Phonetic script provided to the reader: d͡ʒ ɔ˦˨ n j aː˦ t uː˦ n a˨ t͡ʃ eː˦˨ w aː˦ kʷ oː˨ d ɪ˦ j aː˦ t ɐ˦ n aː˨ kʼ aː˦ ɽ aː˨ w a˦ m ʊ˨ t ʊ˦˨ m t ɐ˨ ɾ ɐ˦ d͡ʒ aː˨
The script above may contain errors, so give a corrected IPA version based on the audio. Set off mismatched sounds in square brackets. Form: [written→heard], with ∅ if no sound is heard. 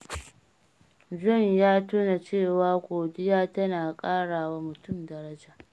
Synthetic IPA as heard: d͡ʒ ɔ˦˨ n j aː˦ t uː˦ n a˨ t͡ʃ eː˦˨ w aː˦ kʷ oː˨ d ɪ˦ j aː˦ t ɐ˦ n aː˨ kʼ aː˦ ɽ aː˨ w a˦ m ʊ˨ t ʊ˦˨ m [t→d] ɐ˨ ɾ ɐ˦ d͡ʒ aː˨